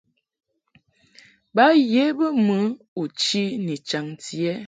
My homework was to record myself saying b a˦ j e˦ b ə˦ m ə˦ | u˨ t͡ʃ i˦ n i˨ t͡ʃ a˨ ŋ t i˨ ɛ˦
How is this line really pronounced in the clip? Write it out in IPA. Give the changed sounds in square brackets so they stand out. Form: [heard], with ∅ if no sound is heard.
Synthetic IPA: b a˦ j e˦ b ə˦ m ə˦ | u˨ t͡ʃ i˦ n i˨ t͡ʃ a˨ ŋ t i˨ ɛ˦